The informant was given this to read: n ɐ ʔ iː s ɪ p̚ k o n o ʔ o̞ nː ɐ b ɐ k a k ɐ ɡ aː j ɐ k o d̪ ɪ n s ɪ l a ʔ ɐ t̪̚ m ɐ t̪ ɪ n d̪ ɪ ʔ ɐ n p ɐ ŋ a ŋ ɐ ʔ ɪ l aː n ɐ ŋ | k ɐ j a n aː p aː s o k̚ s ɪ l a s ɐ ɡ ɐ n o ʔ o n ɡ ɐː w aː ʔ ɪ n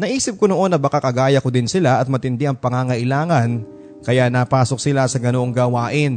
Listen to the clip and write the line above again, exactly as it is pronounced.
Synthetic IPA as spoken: n ɐ ʔ iː s ɪ p̚ k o n o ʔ o̞ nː ɐ b ɐ k a k ɐ ɡ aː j ɐ k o d̪ ɪ n s ɪ l a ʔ ɐ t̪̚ m ɐ t̪ ɪ n d̪ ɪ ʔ ɐ ŋ p ɐ ŋ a ŋ ɐ ʔ ɪ l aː ŋ ɐ n | k ɐ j a n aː p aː s o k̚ s ɪ l a s ɐ ɡ ɐ n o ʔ o ŋ ɡ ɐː w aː ʔ ɪ n